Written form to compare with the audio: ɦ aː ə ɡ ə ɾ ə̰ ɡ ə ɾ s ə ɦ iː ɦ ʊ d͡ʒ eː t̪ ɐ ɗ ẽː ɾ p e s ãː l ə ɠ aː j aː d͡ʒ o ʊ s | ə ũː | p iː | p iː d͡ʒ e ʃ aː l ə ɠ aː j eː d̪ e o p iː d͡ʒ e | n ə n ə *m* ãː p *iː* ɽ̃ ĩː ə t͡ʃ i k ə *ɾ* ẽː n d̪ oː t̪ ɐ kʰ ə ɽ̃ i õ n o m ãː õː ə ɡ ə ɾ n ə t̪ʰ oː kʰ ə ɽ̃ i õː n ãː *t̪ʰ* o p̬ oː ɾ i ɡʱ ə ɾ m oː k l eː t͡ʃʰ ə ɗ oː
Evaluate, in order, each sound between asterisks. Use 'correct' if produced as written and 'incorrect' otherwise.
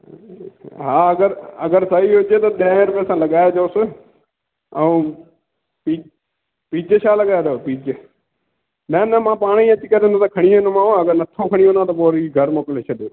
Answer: correct, incorrect, correct, incorrect

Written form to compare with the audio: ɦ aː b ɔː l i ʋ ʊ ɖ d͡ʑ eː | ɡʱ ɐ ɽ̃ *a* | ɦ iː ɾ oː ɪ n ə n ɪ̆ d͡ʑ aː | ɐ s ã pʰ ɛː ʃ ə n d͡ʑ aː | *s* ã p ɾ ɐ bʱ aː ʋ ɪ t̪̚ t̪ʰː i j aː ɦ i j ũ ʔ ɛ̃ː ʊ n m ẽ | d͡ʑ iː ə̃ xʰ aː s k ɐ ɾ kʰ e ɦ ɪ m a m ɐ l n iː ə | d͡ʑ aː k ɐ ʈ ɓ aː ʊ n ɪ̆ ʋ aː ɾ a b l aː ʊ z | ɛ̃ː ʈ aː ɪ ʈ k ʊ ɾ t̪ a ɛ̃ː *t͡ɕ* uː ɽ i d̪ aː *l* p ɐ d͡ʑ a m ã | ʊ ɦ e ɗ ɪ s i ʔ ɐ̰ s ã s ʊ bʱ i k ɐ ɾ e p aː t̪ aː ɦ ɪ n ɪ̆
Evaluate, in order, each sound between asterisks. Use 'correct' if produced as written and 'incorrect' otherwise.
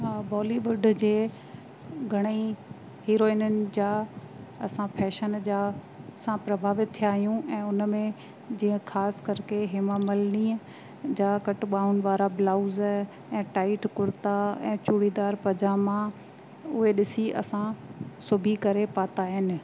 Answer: incorrect, correct, correct, incorrect

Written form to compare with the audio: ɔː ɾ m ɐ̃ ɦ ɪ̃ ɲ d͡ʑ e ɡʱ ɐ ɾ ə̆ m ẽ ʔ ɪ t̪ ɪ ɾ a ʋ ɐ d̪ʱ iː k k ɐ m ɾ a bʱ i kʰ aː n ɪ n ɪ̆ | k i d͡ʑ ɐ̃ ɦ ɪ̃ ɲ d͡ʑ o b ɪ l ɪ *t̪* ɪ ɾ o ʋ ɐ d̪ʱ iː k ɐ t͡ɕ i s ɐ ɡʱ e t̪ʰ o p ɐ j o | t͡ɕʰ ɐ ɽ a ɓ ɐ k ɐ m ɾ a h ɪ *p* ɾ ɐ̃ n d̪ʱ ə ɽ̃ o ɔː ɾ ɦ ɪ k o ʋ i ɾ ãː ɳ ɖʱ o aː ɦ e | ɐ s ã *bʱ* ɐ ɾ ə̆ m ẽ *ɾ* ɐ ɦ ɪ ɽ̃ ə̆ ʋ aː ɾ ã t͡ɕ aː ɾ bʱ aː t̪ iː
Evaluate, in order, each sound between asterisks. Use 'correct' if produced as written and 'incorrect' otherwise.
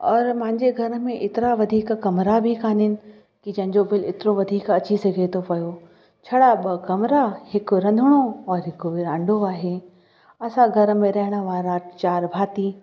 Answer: correct, incorrect, incorrect, correct

